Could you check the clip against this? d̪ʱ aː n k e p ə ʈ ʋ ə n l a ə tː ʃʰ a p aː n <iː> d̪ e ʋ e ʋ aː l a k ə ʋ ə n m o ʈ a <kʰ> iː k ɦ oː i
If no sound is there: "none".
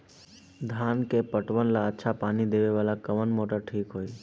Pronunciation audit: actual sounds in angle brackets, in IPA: i, ʈʰ

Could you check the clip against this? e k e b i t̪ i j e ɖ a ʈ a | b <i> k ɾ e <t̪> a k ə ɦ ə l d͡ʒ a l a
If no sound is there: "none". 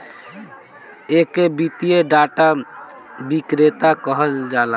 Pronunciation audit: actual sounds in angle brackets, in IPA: i, t̪

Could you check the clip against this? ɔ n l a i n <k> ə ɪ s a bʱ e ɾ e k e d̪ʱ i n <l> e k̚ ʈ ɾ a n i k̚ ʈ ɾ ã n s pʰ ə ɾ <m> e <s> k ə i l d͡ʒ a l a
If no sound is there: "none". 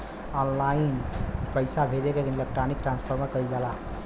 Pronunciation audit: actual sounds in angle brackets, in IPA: p, l, m, none

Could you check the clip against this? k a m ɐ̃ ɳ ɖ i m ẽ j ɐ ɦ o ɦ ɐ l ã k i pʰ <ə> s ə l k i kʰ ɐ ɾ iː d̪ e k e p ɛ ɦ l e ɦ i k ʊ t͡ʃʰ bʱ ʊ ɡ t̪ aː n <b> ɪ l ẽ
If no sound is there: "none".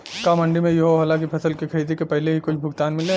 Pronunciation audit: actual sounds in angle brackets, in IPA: ɐ, m

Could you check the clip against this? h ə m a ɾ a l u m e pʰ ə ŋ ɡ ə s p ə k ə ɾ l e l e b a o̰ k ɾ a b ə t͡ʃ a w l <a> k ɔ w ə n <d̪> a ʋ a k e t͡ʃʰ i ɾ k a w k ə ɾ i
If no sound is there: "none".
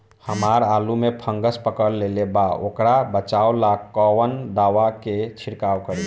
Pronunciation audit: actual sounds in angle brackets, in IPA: a, d̪

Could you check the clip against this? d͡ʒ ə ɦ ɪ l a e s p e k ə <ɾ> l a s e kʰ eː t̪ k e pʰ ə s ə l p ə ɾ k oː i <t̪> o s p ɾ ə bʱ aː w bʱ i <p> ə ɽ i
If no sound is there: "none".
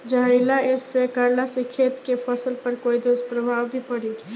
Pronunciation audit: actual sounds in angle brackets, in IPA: ɾ, d̪, p

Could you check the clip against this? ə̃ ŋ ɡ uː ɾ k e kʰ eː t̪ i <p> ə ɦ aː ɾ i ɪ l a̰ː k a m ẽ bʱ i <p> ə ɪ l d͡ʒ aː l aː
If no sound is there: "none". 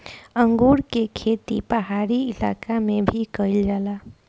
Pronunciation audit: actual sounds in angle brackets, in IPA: p, k

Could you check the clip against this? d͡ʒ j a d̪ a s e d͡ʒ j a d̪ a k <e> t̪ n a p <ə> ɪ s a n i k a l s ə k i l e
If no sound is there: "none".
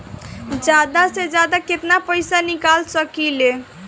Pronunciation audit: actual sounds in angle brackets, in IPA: e, ə

